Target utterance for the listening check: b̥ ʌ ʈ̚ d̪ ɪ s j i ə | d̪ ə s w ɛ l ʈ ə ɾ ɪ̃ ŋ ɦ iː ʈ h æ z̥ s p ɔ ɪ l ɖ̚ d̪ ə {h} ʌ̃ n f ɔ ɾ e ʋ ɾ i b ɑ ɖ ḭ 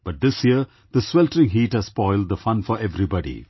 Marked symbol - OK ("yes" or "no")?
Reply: no